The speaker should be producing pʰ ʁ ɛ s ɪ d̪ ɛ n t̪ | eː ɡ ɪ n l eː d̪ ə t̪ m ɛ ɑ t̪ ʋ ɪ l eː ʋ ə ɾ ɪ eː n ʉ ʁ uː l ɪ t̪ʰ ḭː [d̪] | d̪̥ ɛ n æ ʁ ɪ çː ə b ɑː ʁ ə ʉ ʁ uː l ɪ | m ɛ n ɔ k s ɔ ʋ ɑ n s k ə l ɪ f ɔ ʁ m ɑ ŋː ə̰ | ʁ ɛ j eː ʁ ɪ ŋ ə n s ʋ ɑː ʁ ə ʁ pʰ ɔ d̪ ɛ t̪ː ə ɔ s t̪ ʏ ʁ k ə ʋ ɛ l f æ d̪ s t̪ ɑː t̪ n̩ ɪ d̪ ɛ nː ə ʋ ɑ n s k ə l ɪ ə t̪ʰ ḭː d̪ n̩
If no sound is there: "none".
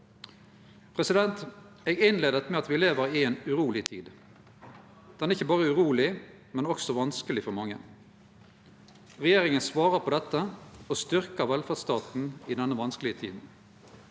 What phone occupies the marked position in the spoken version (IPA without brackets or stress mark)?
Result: d̪